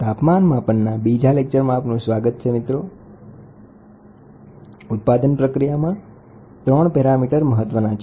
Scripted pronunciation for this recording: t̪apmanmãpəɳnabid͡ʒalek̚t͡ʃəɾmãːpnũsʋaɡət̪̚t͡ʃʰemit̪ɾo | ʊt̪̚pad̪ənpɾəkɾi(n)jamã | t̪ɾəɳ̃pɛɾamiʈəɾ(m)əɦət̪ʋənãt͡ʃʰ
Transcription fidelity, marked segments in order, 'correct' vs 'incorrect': incorrect, correct

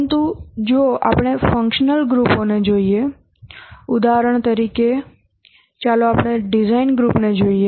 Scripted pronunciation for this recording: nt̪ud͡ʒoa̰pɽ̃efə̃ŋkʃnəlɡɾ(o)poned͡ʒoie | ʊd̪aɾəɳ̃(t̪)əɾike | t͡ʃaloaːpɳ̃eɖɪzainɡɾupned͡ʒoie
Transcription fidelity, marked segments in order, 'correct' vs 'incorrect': incorrect, correct

